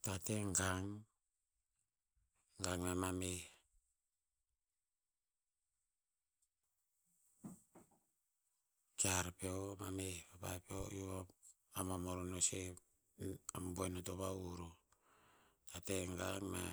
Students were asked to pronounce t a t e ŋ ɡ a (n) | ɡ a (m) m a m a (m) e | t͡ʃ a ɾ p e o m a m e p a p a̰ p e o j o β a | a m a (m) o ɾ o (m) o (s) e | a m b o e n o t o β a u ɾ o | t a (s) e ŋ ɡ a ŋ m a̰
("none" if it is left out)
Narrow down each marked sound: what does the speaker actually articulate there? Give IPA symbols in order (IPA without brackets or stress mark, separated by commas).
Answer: ŋ, ŋ, m, m, n, s, t